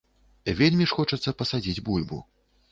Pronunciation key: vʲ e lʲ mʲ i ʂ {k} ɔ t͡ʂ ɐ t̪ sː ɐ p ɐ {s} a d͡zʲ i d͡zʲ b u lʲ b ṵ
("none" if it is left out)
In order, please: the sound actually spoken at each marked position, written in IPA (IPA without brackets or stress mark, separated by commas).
x, s